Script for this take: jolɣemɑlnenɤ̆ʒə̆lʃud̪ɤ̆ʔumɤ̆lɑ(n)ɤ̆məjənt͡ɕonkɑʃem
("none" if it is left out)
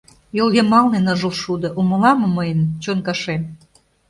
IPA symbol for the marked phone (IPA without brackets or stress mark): m